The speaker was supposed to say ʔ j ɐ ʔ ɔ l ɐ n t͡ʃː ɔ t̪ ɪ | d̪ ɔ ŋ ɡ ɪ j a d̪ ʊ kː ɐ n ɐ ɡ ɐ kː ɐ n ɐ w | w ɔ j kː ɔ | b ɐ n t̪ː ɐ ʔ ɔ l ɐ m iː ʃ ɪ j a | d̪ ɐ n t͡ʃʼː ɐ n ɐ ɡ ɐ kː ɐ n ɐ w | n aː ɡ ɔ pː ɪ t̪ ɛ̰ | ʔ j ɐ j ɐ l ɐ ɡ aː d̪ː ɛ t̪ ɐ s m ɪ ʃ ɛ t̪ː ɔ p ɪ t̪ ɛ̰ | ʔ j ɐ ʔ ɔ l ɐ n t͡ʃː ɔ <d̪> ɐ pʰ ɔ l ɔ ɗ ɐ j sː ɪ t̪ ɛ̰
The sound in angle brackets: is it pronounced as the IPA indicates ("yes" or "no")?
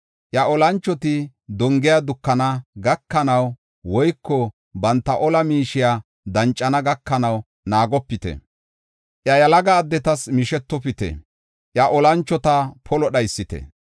no